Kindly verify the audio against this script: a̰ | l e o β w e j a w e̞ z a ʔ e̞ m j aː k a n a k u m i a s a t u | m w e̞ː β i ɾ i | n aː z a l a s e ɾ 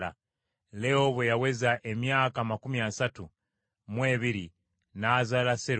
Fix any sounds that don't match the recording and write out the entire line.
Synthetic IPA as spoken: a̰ | l e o β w e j a w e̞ z a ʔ e̞ m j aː k a m a k u m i a s a t u | m w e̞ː β i ɾ i | n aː z a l a s e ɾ